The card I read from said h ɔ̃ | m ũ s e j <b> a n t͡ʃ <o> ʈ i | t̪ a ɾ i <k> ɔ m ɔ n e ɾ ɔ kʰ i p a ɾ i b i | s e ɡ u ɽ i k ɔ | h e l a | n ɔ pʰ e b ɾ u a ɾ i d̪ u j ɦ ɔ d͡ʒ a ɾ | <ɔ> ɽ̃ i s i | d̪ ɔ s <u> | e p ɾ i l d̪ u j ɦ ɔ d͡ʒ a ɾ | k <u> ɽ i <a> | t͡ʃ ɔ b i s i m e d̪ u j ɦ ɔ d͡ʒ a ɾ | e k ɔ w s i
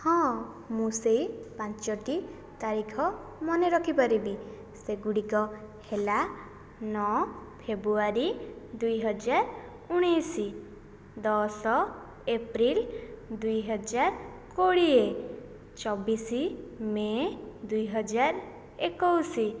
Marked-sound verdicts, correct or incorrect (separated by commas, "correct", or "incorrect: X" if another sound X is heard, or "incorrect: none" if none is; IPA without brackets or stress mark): incorrect: p, incorrect: ɔ, incorrect: kʰ, incorrect: u, incorrect: ɔ, incorrect: o, incorrect: e